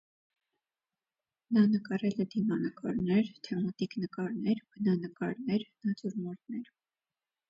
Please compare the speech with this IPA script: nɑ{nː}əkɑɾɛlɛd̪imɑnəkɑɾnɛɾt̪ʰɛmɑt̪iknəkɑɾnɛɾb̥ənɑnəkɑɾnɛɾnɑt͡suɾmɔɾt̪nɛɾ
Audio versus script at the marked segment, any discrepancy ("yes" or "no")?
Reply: yes